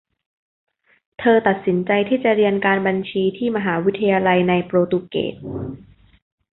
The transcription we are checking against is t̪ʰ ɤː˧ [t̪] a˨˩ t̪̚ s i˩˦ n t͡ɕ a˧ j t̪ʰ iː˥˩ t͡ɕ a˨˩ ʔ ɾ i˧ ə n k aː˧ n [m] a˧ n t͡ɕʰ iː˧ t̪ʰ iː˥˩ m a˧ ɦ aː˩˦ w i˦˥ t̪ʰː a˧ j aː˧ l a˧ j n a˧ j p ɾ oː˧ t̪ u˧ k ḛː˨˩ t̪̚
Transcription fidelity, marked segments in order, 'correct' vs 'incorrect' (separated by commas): correct, incorrect